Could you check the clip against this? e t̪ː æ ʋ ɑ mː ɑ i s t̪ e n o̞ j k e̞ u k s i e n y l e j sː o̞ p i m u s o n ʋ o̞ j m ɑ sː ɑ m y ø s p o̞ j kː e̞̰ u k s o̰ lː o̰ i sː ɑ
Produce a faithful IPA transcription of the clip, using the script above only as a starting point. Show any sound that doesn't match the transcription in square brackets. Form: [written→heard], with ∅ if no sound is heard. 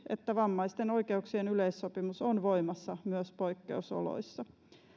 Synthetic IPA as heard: e t̪ː æ ʋ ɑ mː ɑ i s t̪ e n o̞ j k e̞ u k s i e n y l e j sː o̞ p i m u s o n ʋ o̞ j m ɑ sː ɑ m y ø s p o̞ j kː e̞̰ u [k→∅] s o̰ [lː→l] o̰ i sː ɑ